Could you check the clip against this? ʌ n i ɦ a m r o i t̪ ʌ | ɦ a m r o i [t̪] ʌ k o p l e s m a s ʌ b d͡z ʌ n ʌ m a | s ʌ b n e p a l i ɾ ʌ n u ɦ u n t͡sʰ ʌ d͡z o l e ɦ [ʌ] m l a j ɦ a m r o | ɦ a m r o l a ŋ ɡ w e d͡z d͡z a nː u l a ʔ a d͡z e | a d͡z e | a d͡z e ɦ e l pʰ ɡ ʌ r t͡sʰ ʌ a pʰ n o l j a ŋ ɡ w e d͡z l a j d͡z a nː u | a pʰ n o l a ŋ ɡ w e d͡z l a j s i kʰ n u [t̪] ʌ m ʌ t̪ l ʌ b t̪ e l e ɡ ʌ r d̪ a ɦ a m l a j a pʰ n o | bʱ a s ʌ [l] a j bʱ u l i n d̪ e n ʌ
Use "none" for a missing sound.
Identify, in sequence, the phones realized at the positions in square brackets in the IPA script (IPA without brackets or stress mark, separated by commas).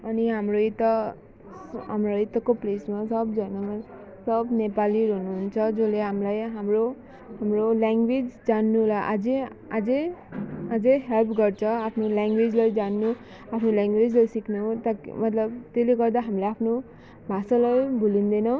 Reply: t̪, a, t̪, l